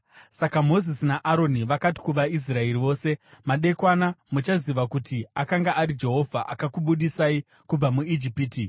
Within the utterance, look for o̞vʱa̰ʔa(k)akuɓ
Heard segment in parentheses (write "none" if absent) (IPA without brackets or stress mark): k